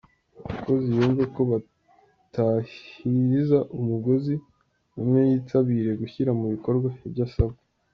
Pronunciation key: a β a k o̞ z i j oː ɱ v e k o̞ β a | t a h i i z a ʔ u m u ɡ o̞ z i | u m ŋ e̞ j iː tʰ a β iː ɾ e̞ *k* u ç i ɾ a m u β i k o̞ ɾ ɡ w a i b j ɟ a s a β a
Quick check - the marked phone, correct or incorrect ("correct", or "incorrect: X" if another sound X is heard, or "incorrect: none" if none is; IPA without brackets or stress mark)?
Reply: incorrect: ɡ